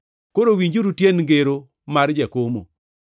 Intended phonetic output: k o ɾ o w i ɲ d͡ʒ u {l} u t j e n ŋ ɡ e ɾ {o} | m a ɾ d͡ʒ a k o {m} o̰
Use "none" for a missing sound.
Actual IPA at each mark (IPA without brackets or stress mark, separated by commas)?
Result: ɾ, o, m